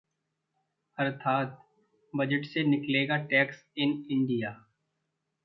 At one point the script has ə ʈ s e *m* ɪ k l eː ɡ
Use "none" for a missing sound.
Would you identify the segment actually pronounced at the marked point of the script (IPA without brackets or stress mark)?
n